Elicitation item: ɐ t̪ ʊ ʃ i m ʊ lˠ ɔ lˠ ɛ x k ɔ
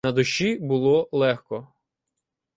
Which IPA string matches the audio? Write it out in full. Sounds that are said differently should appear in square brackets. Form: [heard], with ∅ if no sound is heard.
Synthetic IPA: ɐ [d̪] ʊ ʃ i [b] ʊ lˠ ɔ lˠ ɛ x k ɔ